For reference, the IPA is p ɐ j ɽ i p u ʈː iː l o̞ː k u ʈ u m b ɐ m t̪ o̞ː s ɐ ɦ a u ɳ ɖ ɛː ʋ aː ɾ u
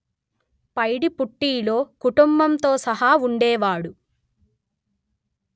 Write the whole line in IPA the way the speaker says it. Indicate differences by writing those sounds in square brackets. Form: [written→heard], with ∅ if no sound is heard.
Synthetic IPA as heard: p ɐ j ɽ i p u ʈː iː l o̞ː k u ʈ u m b ɐ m t̪ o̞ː s ɐ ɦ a u ɳ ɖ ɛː ʋ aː [ɾ→ɽ] u